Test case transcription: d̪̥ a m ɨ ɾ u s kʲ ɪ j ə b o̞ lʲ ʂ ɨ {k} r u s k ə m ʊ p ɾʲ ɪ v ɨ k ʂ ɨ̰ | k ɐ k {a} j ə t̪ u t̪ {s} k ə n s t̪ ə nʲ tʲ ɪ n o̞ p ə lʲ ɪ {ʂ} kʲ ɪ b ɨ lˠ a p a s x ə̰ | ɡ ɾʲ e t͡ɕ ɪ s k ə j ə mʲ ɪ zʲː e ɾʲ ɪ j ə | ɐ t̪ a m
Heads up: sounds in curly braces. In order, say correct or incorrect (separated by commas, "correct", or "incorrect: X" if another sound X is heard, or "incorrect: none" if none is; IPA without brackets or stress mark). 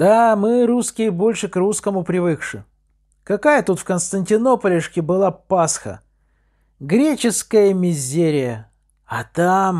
correct, correct, incorrect: f, correct